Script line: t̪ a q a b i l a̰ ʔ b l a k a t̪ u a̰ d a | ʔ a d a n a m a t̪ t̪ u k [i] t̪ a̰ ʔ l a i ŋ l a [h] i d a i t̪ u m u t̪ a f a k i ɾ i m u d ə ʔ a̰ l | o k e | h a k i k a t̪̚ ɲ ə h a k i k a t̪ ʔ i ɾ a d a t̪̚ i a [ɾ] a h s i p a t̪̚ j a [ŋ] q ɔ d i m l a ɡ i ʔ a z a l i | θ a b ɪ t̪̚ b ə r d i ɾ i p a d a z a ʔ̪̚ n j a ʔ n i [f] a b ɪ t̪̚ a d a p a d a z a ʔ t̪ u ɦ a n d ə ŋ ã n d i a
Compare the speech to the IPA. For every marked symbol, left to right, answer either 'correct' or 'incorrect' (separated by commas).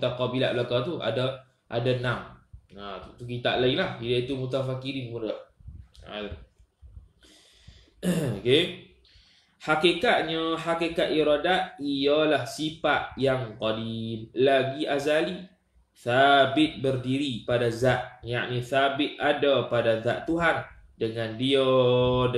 correct, correct, incorrect, correct, incorrect